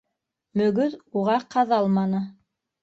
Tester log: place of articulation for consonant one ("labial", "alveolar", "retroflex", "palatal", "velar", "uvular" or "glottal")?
labial